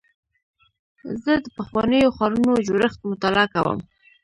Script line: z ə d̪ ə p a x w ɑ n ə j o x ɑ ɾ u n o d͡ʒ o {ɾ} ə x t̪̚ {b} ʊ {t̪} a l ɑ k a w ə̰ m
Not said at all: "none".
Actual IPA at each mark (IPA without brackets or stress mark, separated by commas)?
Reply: ɾ, m, t̪